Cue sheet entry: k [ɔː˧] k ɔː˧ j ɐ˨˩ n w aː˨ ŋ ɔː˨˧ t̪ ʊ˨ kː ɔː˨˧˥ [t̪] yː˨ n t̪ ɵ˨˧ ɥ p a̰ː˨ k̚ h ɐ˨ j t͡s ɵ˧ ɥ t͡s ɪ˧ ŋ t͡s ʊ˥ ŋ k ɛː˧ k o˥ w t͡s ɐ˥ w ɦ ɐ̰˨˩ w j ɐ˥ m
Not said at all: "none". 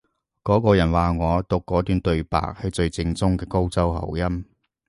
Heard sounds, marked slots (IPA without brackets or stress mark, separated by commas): ɔː˨˥, t̪